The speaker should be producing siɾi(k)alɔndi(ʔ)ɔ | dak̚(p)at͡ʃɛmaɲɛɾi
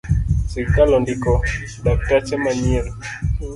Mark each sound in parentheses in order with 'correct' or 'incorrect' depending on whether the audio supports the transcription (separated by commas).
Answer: correct, incorrect, incorrect